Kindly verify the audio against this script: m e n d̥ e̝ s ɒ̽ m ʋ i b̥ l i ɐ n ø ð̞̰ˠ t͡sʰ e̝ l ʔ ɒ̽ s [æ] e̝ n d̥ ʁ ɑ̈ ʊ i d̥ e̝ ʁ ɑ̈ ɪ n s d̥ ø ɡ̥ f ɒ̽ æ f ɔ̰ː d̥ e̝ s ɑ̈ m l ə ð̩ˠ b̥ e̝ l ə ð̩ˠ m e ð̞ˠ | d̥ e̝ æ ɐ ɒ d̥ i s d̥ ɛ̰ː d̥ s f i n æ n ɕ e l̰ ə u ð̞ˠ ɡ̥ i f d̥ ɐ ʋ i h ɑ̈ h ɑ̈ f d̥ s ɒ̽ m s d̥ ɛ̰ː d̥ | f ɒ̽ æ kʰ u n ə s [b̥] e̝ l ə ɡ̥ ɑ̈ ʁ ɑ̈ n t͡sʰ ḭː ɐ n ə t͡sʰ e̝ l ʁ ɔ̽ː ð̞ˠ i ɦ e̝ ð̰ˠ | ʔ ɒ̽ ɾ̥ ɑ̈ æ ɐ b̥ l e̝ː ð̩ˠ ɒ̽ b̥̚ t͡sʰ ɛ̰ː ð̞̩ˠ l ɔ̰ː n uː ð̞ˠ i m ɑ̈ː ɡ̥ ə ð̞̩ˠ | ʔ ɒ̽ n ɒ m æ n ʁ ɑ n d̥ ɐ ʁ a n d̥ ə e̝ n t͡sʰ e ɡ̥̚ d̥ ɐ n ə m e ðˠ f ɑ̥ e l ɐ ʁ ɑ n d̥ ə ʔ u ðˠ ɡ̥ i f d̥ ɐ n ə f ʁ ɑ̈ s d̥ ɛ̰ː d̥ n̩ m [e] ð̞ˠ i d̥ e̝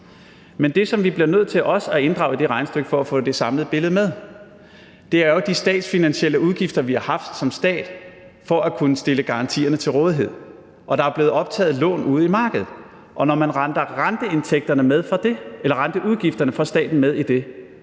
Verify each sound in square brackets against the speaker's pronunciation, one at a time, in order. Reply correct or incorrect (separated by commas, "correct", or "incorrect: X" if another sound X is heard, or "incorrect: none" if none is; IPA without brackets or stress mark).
correct, incorrect: d̥, correct